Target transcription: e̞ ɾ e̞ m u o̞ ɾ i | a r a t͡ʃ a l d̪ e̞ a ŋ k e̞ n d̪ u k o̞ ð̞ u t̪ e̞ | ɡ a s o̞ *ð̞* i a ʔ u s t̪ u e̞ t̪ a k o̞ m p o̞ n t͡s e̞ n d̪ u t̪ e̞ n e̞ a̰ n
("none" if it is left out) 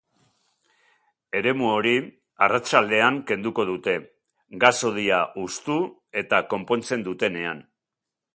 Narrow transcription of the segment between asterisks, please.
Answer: ð̞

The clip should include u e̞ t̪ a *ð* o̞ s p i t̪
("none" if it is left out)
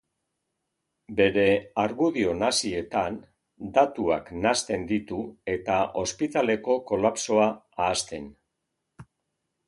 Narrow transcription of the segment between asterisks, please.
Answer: none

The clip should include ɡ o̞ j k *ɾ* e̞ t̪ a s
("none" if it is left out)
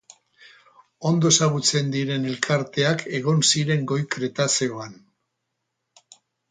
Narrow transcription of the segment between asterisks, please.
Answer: ɾ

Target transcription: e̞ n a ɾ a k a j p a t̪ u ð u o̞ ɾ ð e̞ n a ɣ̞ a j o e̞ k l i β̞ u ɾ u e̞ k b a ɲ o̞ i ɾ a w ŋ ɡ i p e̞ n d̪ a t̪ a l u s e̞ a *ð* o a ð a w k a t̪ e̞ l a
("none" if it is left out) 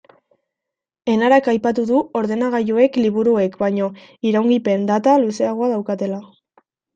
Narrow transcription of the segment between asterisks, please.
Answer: ɣ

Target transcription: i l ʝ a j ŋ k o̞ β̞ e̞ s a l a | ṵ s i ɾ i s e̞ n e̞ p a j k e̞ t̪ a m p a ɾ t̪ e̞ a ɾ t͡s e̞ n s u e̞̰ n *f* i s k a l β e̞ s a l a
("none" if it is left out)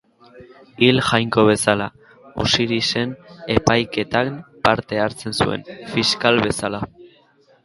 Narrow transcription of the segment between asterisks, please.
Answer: f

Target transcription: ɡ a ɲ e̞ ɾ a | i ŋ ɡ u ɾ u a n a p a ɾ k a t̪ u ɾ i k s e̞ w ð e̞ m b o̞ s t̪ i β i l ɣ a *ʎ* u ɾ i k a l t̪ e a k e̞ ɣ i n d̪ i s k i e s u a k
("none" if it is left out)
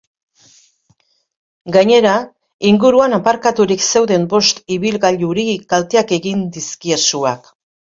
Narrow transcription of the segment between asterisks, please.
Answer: ʎ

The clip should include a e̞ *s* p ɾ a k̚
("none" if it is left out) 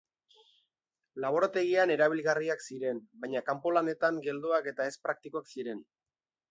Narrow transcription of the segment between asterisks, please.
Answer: s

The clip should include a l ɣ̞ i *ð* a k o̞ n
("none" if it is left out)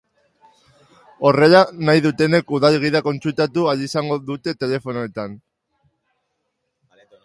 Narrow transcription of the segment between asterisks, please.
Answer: ð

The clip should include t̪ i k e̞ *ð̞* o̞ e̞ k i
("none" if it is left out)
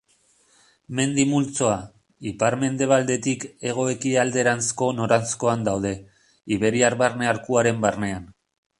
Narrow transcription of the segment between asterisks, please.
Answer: ɣ̞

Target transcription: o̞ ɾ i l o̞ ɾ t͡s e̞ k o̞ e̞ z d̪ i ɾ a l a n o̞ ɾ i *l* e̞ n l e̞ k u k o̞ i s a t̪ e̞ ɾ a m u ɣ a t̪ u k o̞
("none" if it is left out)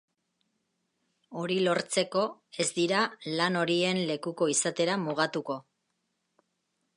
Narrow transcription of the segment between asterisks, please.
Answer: none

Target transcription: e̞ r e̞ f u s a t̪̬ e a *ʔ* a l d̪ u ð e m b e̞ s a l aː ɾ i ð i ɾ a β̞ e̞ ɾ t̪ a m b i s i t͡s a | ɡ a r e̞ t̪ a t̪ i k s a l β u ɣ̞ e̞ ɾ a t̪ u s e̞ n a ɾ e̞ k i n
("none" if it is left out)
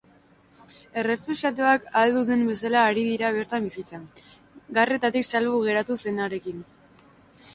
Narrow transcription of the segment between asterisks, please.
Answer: k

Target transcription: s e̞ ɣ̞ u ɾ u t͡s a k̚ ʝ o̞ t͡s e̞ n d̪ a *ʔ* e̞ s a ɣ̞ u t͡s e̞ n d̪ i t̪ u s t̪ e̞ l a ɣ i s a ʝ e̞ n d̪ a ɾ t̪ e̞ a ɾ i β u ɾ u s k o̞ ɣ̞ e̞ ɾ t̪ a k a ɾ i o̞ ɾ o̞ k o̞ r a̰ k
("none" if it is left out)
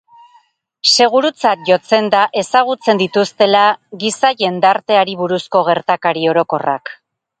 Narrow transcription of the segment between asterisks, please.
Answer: ʔ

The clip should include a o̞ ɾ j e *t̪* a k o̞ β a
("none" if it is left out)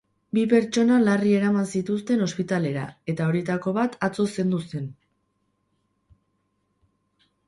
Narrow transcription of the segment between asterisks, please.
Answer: t̪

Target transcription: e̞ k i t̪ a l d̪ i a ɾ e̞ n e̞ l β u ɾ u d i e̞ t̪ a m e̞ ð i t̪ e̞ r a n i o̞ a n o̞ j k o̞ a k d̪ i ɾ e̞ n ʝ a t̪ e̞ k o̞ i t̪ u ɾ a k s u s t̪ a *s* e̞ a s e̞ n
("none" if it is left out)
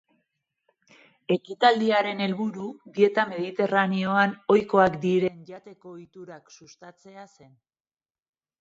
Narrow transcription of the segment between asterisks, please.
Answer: t͡s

